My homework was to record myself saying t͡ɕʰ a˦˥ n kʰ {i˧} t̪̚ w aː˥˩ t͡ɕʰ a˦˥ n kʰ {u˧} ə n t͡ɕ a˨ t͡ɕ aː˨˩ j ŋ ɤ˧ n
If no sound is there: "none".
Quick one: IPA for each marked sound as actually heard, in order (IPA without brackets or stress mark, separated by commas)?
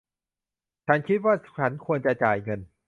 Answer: i˦˥, u˧